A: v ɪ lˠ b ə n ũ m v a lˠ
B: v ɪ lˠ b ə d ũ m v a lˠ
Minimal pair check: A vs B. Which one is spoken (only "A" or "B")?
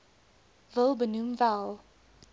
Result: A